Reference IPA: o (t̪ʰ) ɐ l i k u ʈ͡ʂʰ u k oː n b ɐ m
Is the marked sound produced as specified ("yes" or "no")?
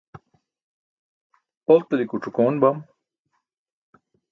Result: no